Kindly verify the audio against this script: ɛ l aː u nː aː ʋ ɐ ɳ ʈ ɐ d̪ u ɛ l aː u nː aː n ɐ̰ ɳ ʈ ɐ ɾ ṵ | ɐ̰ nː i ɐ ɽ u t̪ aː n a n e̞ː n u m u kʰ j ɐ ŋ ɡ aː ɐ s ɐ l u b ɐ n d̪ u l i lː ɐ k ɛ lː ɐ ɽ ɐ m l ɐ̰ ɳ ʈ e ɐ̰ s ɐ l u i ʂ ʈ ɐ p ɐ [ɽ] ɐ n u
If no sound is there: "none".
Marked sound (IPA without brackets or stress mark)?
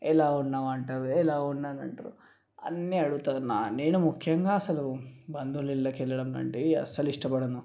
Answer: ɽ